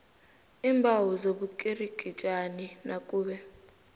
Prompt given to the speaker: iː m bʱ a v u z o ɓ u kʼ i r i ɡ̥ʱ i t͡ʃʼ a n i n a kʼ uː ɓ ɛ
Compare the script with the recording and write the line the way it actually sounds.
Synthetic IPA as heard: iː m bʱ a w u z o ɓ u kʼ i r i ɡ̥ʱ i t͡ʃʼ a n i n a kʼ uː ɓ ɛ